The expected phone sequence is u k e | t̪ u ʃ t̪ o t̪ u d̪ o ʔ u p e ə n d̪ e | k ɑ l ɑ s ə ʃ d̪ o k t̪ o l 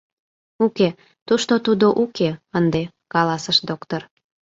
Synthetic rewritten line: u k e | t̪ u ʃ t̪ o t̪ u d̪ o ʔ u k e ə n d̪ e | k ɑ l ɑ s ə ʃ d̪ o k t̪ o r